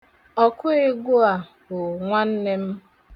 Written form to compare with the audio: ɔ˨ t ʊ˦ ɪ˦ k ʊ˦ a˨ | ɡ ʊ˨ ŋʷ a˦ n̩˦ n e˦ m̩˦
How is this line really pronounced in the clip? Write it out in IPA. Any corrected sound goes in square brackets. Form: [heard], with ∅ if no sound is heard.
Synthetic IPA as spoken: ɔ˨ [k] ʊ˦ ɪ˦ [ɡ] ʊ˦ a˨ | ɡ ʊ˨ ŋʷ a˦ n̩˦ n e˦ m̩˦